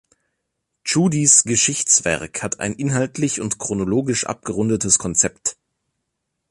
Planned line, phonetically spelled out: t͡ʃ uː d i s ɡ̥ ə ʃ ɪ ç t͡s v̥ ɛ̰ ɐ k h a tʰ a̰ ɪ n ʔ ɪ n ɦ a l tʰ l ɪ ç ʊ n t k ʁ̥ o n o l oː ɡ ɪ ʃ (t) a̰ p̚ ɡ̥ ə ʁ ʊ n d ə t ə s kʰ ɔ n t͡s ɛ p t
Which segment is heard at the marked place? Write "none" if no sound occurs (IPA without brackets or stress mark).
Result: ʔ